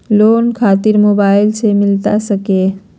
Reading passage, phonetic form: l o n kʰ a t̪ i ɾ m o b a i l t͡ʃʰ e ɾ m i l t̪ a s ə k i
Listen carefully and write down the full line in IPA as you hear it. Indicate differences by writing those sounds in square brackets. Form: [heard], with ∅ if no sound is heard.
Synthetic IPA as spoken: l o n kʰ a t̪ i ɾ m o b a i l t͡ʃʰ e [∅] m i l t̪ a s ə k [e]